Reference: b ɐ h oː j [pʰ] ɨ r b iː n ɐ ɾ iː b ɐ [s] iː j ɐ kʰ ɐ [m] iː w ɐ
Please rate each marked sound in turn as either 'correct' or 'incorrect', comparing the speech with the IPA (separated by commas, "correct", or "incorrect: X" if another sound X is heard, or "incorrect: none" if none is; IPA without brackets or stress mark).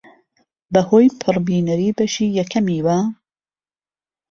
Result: correct, incorrect: ʃ, correct